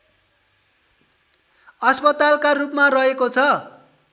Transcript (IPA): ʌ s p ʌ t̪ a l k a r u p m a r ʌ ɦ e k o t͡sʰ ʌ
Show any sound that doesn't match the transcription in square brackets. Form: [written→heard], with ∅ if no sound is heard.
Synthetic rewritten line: ʌ s p ʌ t̪ a l k a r u p m a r ʌ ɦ e k o t͡sʰ ʌ